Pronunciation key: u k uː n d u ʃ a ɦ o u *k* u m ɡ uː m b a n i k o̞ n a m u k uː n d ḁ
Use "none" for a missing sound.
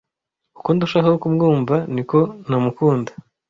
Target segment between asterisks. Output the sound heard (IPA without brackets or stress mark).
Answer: k